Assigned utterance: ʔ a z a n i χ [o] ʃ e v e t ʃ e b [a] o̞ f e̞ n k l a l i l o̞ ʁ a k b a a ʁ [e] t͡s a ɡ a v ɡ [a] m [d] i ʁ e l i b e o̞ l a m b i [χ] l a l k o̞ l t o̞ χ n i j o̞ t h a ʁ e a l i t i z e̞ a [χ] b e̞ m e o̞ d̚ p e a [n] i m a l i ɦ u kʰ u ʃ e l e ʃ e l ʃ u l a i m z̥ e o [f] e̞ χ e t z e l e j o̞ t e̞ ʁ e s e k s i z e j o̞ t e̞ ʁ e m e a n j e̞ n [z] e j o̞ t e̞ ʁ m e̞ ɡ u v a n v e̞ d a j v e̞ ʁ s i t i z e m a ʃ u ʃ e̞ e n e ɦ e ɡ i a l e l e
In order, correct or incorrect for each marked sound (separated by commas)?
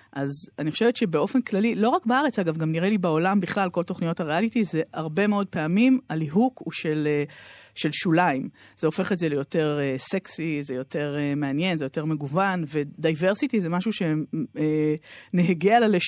correct, incorrect, correct, correct, incorrect, correct, incorrect, incorrect, correct, correct